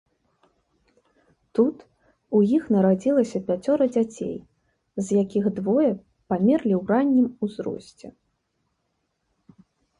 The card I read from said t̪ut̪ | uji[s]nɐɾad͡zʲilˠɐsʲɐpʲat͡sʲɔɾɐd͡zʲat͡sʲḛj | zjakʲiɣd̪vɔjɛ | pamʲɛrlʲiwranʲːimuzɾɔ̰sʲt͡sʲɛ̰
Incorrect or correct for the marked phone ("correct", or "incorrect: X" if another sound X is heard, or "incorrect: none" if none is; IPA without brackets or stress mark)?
incorrect: x